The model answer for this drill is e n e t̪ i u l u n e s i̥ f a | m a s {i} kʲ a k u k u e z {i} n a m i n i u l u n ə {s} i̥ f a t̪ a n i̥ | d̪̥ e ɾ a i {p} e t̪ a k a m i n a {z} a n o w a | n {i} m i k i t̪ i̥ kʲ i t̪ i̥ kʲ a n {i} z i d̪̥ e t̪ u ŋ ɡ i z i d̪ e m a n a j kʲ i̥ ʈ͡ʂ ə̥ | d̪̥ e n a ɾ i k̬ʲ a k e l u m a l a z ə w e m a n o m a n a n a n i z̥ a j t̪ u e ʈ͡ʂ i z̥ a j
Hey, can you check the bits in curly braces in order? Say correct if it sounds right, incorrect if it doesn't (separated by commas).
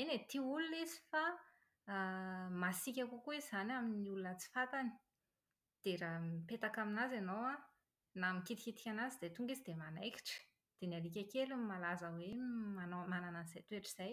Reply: correct, incorrect, incorrect, correct, correct, incorrect, incorrect